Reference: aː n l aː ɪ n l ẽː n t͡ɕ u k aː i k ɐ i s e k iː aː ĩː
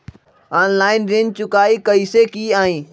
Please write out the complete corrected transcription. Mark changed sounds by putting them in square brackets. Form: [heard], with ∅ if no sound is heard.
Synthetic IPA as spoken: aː n l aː ɪ n [ɾ] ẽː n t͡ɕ [ʊ] k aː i k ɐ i s e k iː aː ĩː